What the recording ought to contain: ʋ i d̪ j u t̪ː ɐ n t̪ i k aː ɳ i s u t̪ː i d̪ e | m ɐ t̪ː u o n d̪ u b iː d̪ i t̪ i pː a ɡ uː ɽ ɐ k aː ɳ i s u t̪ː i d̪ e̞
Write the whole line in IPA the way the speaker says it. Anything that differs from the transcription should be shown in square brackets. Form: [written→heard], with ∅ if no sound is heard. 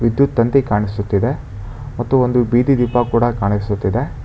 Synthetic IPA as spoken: ʋ i d̪ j u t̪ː ɐ n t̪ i k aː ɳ i s u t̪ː i d̪ e | m ɐ t̪ː u o n d̪ u b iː d̪ i [t̪→d̪] i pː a [ɡ→k] uː ɽ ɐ k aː ɳ i s u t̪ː i d̪ e̞

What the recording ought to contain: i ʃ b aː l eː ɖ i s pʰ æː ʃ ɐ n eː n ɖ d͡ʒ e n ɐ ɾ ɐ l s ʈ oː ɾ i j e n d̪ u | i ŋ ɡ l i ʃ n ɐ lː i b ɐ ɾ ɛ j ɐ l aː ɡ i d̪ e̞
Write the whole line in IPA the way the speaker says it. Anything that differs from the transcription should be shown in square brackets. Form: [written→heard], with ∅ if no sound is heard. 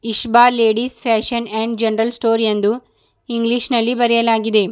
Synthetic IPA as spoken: i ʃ b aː l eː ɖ i s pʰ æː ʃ ɐ n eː [n→ɳ] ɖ d͡ʒ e n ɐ ɾ ɐ l s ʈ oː ɾ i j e n d̪ u | i ŋ ɡ l i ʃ n ɐ lː i b ɐ ɾ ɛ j ɐ l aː ɡ i d̪ e̞

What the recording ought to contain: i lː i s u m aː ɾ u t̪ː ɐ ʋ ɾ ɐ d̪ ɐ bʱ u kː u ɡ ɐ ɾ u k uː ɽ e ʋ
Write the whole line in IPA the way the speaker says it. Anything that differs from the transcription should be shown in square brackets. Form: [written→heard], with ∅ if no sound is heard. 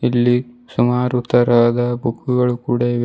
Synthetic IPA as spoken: i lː i s u m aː ɾ u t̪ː ɐ [ʋ→∅] ɾ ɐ d̪ ɐ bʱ u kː u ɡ ɐ [ɾ→ɭ] u k uː ɽ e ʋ

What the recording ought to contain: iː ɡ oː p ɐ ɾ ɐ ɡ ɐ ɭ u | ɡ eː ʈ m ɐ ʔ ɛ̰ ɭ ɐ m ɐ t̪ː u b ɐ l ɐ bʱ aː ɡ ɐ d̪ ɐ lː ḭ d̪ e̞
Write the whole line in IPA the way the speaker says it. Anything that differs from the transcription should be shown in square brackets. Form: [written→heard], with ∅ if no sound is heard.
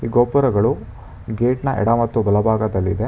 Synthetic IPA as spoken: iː ɡ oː p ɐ ɾ ɐ ɡ ɐ ɭ u | ɡ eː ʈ [m→n] ɐ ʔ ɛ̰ [ɭ→ɽ] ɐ m ɐ t̪ː u b ɐ l ɐ bʱ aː ɡ ɐ d̪ ɐ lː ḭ d̪ e̞

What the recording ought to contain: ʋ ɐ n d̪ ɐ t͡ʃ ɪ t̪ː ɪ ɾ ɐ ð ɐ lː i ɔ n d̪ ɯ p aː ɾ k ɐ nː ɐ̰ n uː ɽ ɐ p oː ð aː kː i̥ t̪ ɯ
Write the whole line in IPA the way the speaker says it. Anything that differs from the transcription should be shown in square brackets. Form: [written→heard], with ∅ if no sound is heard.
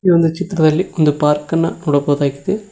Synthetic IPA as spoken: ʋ ɐ n d̪ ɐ t͡ʃ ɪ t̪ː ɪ ɾ ɐ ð ɐ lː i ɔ n d̪ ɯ p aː ɾ k ɐ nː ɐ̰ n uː ɽ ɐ p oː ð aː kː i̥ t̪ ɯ

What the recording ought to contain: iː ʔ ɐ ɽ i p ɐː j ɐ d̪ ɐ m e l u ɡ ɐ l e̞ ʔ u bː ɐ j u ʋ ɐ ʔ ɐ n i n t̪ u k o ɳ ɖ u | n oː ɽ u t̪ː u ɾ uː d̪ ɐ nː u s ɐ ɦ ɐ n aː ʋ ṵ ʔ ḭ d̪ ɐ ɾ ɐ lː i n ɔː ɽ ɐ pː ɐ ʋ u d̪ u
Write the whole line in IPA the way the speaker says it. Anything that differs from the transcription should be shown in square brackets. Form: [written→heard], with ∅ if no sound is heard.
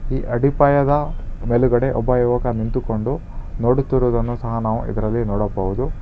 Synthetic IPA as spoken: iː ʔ ɐ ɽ i p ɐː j ɐ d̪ ɐ m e l u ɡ ɐ [l→ɽ] e̞ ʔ [u→ɔ] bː ɐ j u ʋ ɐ [ʔ→k] ɐ n i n t̪ u k o ɳ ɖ u | n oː ɽ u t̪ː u ɾ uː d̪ ɐ nː u s ɐ ɦ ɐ n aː ʋ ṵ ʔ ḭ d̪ ɐ ɾ ɐ lː i n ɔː ɽ ɐ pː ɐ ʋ u d̪ u

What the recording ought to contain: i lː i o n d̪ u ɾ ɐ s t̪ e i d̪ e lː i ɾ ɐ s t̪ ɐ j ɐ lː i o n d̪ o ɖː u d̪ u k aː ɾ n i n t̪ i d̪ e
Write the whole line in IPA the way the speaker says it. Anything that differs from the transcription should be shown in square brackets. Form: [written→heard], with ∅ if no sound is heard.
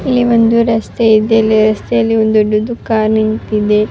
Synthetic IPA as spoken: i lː i o n d̪ u ɾ ɐ s t̪ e i d̪ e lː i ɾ ɐ s t̪ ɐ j ɐ lː i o n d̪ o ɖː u d̪ u k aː ɾ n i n t̪ i d̪ e

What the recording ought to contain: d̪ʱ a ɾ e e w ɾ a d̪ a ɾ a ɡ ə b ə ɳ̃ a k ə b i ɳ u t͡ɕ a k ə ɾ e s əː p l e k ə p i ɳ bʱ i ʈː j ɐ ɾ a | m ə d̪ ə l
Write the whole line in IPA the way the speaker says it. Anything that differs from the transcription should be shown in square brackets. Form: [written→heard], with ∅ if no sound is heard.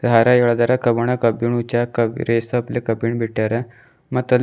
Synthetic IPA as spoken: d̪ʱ a ɾ [e→a] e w [ɾ→ɭ] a d̪ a ɾ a [ɡ→k] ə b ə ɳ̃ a k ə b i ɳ u t͡ɕ a k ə ɾ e s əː p l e k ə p i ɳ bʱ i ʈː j [ɐ→a] ɾ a | m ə [d̪→t̪] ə l

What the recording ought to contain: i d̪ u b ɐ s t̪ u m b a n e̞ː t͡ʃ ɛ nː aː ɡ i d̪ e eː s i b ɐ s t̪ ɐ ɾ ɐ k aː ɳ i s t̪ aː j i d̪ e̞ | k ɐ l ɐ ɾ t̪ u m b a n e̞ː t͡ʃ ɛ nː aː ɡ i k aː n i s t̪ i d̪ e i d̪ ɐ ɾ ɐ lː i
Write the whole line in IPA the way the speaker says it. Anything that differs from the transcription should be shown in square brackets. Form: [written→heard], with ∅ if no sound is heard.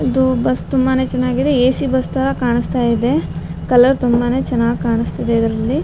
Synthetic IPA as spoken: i d̪ u b ɐ s t̪ u m b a n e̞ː t͡ʃ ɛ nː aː ɡ i d̪ e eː s i b ɐ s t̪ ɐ ɾ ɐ k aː ɳ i s t̪ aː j i d̪ e̞ | k ɐ l ɐ ɾ t̪ u m b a n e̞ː t͡ʃ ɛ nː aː ɡ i k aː [n→ɳ] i s t̪ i d̪ e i d̪ ɐ ɾ ɐ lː i

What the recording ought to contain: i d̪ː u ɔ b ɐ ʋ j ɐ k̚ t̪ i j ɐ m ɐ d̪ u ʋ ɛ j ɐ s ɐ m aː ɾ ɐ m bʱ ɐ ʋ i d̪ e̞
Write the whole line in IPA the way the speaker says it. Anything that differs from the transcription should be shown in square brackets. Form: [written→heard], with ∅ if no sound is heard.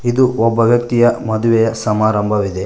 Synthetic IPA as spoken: i [d̪ː→d̪] u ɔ [b→bː] ɐ ʋ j ɐ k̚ t̪ i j ɐ m ɐ d̪ u ʋ ɛ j ɐ s ɐ m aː ɾ ɐ m bʱ ɐ ʋ i d̪ e̞

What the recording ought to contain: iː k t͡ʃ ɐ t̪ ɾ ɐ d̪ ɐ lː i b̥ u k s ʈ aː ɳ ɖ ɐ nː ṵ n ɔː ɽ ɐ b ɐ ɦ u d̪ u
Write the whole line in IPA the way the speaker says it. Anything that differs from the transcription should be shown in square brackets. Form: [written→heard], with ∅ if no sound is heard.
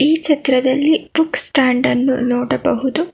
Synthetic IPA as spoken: iː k t͡ʃ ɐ t̪ ɾ ɐ d̪ ɐ lː i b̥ u k s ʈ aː ɳ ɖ ɐ nː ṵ n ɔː ɽ ɐ b ɐ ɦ u d̪ u

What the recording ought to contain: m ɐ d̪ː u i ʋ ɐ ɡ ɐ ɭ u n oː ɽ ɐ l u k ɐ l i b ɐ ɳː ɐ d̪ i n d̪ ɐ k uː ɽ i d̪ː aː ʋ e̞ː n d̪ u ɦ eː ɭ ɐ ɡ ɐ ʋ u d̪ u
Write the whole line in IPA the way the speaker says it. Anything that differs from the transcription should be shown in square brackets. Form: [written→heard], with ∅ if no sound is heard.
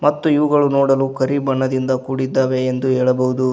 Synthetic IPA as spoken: m ɐ [d̪ː→t̪ː] u i ʋ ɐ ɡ ɐ ɭ u n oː ɽ ɐ l u k ɐ [l→ɾ] i b ɐ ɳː ɐ d̪ i n d̪ ɐ k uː ɽ i d̪ː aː ʋ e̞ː n d̪ u ɦ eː ɭ ɐ [ɡ→b] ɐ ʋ u d̪ u

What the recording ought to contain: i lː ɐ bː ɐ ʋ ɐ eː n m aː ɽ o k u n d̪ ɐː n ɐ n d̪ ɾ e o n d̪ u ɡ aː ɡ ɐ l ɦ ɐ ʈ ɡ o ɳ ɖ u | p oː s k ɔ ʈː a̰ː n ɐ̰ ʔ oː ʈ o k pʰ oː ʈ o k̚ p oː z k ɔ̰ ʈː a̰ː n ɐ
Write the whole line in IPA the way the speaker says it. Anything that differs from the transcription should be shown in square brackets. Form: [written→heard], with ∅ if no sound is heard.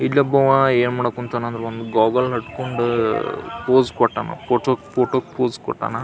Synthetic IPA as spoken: i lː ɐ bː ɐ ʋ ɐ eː n m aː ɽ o k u n [d̪→t̪] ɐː n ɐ n d̪ ɾ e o n d̪ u ɡ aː ɡ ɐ l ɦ ɐ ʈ [ɡ→k] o ɳ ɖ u | p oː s k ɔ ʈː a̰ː n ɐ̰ [ʔ→p] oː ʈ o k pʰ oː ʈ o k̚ p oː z k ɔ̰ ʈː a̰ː n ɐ

